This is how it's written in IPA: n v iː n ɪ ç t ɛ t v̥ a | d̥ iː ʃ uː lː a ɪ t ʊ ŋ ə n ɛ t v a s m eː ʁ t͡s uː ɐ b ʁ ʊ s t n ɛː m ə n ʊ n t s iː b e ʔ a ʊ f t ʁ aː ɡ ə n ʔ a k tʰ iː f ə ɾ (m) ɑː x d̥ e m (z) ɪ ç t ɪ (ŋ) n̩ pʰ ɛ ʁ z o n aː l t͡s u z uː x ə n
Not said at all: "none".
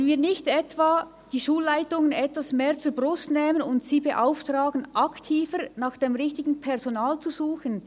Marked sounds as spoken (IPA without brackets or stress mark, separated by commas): n, ʁ, ɡ